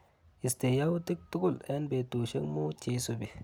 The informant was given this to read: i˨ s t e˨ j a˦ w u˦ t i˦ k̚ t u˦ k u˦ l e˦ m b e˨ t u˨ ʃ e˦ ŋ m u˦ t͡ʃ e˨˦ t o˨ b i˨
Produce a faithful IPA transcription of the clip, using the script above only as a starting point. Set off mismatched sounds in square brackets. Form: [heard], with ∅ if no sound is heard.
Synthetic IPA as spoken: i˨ s t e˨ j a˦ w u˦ t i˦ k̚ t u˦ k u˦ l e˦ [n] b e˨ t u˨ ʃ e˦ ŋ m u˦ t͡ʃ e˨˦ [s] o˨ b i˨